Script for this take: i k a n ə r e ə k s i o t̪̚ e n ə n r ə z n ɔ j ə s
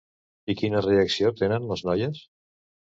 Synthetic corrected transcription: i k i n ə r e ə k s i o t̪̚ e n ə n l ə z n ɔ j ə s